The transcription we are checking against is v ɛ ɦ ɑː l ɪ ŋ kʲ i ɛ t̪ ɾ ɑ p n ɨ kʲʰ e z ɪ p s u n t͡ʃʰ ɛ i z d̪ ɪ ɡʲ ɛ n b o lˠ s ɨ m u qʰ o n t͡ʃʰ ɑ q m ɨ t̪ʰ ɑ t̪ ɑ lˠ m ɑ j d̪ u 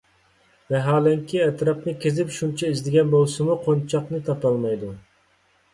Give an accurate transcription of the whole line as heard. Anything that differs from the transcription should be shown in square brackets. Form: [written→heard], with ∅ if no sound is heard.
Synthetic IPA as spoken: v ɛ ɦ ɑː l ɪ ŋ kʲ i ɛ t̪ ɾ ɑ p n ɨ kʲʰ e z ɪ p [s→ʃ] u n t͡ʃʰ ɛ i z d̪ ɪ ɡʲ ɛ n b o lˠ s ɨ m u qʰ o n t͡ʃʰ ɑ q [m→n] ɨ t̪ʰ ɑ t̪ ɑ lˠ m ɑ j d̪ u